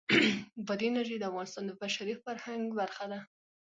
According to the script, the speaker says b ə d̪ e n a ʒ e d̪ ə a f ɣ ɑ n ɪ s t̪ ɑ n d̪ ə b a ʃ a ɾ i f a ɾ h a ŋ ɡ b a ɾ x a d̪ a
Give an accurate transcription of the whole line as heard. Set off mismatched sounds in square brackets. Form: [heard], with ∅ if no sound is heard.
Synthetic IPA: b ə d̪ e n a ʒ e d̪ ə a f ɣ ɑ n ɪ s t̪ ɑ n d̪ ə b a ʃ a ɾ i f a ɾ h a ŋ ɡ b a ɾ x a d̪ a